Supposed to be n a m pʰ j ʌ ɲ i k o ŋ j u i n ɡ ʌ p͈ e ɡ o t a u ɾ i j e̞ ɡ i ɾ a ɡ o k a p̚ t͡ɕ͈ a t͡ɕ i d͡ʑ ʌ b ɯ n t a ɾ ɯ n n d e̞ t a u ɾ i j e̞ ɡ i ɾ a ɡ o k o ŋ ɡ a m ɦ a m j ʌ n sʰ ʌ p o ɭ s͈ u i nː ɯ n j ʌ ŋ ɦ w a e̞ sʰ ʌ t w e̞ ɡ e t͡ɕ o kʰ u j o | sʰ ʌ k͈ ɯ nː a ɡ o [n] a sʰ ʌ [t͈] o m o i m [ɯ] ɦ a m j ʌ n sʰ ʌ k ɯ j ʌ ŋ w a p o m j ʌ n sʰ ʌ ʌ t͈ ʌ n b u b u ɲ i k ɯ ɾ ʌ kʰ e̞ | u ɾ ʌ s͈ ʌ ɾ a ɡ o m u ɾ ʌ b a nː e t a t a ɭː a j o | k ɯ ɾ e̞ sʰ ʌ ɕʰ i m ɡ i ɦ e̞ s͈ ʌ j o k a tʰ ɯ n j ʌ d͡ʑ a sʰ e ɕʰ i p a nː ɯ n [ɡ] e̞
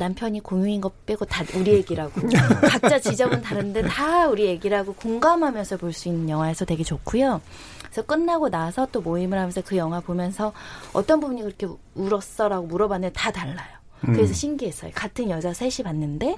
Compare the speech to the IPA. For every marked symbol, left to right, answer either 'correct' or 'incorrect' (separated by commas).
correct, correct, correct, incorrect